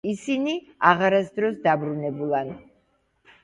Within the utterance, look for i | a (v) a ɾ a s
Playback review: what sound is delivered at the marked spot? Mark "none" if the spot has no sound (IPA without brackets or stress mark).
ʁ